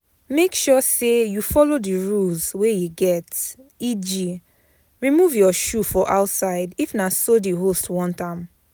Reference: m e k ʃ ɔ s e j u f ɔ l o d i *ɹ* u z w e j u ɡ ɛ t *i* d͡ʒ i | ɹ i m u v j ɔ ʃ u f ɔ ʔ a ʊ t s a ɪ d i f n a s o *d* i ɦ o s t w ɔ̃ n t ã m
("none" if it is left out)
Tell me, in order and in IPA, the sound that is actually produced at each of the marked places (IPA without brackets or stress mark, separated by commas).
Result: ɹ, i, d